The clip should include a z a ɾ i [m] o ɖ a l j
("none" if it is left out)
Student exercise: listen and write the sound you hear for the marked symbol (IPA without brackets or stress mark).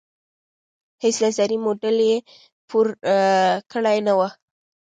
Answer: m